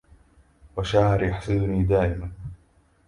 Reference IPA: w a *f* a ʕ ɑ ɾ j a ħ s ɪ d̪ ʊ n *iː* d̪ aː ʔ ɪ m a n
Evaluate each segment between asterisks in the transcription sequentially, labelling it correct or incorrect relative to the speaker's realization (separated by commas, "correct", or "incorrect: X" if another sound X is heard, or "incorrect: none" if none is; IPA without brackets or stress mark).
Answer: incorrect: ʃ, correct